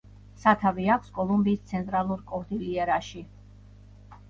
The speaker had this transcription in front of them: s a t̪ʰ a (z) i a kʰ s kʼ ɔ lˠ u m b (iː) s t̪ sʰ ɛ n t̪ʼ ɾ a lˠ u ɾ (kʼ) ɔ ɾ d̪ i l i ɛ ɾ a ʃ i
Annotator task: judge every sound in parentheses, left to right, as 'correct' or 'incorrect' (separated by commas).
incorrect, correct, correct